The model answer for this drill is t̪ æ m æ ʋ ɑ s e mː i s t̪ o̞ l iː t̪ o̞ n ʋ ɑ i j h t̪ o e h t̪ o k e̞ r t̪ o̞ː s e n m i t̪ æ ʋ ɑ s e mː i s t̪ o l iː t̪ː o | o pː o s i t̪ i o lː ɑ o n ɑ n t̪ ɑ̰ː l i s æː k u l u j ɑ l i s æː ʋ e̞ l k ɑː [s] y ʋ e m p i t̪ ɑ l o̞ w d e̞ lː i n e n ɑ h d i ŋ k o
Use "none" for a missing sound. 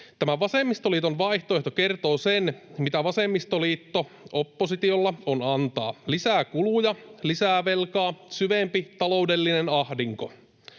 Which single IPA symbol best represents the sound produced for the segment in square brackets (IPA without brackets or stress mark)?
s